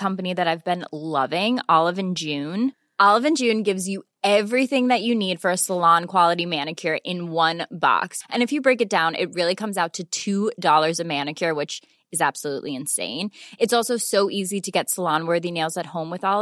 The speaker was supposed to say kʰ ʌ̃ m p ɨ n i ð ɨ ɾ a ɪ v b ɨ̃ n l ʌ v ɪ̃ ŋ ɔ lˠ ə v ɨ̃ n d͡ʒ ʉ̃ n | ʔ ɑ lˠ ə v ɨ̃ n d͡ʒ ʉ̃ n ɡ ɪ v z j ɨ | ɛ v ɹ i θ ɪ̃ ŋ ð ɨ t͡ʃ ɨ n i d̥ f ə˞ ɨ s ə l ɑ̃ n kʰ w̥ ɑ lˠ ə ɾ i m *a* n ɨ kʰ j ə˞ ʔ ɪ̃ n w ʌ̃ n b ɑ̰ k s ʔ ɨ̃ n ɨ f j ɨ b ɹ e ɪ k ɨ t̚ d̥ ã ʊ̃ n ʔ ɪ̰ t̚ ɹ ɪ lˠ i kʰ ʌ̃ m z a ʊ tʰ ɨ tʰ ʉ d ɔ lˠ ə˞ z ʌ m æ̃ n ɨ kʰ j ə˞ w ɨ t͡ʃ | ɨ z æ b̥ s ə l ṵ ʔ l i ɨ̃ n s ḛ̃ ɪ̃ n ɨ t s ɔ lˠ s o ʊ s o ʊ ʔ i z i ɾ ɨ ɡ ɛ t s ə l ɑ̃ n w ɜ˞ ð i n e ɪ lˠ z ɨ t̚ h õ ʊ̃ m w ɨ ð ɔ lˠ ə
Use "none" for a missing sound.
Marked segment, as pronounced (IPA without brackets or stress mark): æ